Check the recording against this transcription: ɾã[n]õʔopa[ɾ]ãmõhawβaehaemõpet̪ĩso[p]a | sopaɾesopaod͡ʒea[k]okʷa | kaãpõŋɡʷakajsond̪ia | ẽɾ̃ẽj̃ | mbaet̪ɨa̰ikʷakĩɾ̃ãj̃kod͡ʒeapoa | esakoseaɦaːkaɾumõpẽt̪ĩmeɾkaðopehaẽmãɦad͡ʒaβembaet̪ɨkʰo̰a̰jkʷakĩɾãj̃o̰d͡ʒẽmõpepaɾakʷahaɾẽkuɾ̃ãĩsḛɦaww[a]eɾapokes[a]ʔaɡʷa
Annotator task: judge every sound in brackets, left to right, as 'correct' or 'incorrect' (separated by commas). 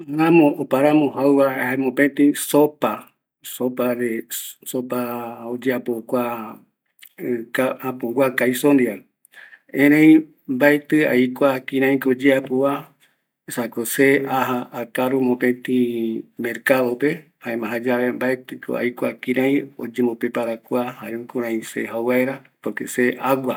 incorrect, correct, correct, incorrect, correct, incorrect